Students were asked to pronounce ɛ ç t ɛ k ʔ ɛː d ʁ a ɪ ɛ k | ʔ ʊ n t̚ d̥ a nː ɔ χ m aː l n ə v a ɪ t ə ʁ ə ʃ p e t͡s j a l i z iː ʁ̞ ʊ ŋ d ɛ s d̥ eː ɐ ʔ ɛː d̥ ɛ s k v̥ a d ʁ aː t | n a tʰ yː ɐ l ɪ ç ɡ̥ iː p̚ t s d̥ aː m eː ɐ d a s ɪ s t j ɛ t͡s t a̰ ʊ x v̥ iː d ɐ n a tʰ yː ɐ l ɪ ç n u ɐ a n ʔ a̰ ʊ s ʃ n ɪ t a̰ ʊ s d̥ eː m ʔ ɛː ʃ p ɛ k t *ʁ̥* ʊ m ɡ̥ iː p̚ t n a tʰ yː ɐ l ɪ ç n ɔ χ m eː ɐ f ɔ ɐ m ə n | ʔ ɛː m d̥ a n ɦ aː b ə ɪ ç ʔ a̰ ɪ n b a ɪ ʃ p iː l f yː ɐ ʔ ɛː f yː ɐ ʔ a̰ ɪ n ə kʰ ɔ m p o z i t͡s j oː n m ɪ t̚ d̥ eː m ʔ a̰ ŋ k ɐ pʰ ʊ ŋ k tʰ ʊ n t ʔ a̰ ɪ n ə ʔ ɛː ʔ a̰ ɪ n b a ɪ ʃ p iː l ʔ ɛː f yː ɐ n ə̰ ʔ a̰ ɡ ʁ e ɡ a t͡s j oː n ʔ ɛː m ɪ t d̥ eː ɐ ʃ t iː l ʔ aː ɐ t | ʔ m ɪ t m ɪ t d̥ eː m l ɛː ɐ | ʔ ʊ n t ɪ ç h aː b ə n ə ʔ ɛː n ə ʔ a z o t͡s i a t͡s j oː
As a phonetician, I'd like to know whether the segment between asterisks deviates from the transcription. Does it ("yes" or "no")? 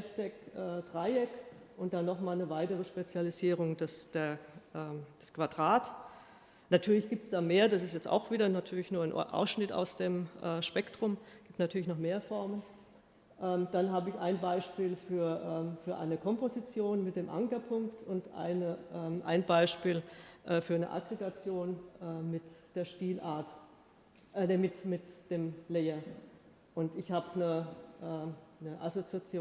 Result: no